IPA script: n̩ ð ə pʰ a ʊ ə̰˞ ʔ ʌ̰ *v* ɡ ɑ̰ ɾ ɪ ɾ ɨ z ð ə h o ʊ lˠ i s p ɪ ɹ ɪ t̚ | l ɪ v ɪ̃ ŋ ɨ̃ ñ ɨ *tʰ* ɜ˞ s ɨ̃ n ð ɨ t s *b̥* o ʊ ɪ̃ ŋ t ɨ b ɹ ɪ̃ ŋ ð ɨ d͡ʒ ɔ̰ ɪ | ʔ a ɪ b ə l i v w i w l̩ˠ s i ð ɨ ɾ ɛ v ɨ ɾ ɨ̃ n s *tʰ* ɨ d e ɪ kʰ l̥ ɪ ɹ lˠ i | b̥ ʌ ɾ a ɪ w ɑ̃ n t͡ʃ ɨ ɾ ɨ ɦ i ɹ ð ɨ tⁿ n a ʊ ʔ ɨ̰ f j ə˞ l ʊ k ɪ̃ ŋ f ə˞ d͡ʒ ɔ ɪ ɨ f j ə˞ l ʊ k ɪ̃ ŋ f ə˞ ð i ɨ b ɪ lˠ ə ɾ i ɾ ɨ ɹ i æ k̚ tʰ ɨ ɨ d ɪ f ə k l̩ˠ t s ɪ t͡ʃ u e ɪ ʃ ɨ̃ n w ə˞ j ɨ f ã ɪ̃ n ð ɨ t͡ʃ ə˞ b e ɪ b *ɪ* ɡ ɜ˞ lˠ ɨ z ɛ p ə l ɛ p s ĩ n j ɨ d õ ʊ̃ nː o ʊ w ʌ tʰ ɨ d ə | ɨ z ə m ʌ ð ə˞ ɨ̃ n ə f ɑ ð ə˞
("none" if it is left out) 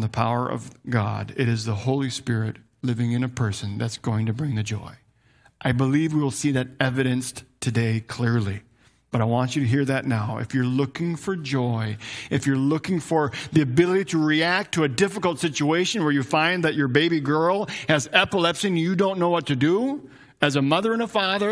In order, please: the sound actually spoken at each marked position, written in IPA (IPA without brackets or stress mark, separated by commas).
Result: v, pʰ, ɡ̥, tʰ, i